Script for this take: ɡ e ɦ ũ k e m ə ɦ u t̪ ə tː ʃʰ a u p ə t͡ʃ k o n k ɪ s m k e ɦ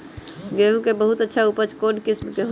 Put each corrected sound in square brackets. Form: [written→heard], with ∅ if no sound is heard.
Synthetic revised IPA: ɡ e ɦ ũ k e [m→b] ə ɦ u t̪ ə tː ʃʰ a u p ə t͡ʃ k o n k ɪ s m k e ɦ

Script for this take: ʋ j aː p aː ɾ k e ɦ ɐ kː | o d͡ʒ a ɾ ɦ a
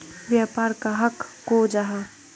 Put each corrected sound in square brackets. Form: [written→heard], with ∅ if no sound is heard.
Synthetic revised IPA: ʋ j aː p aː ɾ k [e→a] ɦ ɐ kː | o d͡ʒ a [ɾ→∅] ɦ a

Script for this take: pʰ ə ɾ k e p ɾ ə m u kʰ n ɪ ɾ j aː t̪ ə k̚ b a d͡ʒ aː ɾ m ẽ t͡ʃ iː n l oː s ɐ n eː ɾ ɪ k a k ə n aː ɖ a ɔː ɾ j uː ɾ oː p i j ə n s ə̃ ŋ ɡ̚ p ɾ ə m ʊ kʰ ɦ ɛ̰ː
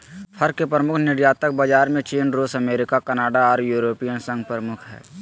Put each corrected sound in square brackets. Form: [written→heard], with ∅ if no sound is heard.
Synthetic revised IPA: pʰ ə ɾ k e p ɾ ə m [u→ʊ] kʰ n ɪ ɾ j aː t̪ ə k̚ b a d͡ʒ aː ɾ m ẽ t͡ʃ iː n [l→ɾ] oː s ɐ [n→m] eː ɾ ɪ k a k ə n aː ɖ a ɔː ɾ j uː ɾ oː p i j ə n s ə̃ ŋ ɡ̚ p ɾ ə m ʊ kʰ ɦ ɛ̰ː

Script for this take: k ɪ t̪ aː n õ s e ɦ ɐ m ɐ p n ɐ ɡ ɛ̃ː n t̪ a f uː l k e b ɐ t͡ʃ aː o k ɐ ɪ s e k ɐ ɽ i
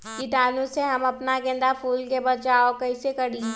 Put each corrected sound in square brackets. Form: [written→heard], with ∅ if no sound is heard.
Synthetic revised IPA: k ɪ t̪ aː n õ s e ɦ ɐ m ɐ p n [ɐ→a] ɡ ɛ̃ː n [t̪→d̪] a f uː l k e b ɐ t͡ʃ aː o k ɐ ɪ s e k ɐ ɽ i

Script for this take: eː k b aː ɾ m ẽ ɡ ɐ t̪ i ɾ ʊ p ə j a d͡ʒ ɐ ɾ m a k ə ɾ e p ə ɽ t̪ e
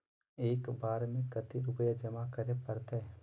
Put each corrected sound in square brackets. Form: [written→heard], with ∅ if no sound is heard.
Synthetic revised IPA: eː k b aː ɾ m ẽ [ɡ→k] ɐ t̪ i ɾ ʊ p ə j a d͡ʒ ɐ [ɾ→∅] m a k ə ɾ e p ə [ɽ→ɾ] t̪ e

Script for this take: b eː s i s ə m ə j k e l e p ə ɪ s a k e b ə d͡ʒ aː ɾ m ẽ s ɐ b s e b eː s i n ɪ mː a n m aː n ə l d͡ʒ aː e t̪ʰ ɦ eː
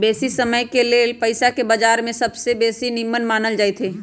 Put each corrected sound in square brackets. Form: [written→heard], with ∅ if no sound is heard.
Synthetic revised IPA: b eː s i s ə m ə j k e l e p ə ɪ s a k e b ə d͡ʒ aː ɾ m ẽ s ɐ b s e b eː s i n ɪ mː [a→ə] n m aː n ə l d͡ʒ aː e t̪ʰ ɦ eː

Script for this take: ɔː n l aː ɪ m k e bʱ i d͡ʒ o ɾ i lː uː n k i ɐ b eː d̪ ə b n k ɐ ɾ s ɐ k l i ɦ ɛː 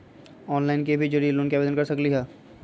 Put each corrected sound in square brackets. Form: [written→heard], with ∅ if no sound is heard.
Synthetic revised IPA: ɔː n l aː ɪ [m→n] k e bʱ i d͡ʒ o ɾ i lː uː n k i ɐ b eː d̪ ə [b→∅] n k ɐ ɾ s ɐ k l i ɦ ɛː

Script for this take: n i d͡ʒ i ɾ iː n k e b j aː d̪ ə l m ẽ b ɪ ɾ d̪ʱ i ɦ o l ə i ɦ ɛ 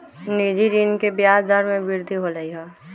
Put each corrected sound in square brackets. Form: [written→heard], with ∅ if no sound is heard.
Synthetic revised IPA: n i d͡ʒ i ɾ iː n k e b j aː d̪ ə [l→ɾ] m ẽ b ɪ ɾ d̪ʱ i ɦ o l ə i ɦ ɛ

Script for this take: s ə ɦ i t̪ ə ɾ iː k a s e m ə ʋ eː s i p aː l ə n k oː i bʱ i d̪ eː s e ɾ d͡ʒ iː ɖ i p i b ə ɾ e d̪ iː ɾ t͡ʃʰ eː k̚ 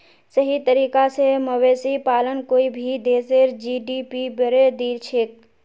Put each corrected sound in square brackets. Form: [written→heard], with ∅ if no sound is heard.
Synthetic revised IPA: s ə ɦ i t̪ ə ɾ iː k a s e m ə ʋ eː s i p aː l ə n k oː i bʱ i d̪ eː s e ɾ d͡ʒ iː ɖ i p i b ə ɾ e d̪ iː ɾ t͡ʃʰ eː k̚

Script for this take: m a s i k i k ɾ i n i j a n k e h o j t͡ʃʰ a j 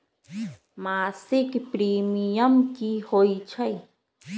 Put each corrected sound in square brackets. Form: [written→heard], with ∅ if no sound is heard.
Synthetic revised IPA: m a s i k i [k→p] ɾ i [n→m] i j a [n→m] k [e→i] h o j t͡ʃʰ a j

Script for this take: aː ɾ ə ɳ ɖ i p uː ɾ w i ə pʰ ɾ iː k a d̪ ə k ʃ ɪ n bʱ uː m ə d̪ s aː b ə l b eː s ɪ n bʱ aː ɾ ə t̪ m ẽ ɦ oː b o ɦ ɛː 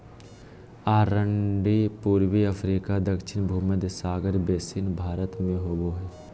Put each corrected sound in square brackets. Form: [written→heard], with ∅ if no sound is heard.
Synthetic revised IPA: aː ɾ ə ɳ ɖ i p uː ɾ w i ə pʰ ɾ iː k a d̪ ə k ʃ ɪ n bʱ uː m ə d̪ s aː [b→ɡ] ə [l→ɾ] b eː s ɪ n bʱ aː ɾ ə t̪ m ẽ ɦ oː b o ɦ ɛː

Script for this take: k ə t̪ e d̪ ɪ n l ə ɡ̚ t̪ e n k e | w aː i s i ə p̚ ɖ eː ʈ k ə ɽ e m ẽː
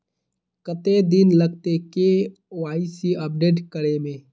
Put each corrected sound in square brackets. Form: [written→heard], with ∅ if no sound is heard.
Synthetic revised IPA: k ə t̪ e d̪ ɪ n l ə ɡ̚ t̪ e [n→∅] k e | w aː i s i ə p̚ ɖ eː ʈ k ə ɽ e m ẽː

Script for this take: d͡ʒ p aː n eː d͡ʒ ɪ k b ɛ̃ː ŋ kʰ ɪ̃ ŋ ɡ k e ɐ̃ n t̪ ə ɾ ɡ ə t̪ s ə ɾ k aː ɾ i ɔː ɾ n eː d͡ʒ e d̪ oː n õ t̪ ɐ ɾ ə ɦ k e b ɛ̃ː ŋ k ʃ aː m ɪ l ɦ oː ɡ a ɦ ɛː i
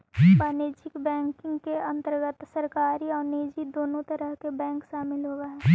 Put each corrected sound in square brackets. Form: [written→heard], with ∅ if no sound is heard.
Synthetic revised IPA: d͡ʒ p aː n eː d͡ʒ ɪ k b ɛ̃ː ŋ [kʰ→k] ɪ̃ ŋ ɡ k e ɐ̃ n t̪ ə ɾ ɡ ə t̪ s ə ɾ k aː ɾ i ɔː ɾ n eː d͡ʒ [e→i] d̪ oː n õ t̪ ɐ ɾ ə ɦ k e b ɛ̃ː ŋ k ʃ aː m ɪ l ɦ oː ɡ a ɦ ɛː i

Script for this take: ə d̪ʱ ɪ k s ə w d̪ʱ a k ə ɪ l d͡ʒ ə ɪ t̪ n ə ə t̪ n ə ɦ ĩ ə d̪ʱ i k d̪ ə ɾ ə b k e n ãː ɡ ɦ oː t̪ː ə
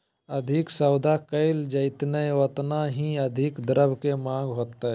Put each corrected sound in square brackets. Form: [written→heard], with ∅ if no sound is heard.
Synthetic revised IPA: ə d̪ʱ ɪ k s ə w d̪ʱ a k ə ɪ l d͡ʒ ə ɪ t̪ n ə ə t̪ n [ə→a] ɦ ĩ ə d̪ʱ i k d̪ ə ɾ ə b k e [n→m] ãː ɡ ɦ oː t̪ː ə

